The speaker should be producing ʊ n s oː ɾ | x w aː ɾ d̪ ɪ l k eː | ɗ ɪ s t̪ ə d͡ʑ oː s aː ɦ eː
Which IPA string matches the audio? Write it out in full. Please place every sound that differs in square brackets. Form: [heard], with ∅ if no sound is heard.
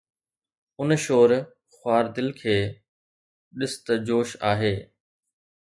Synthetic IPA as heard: ʊ n [ʃ] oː ɾ | x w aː ɾ d̪ ɪ l [kʰ] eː | ɗ ɪ s t̪ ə d͡ʑ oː [ʃ] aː ɦ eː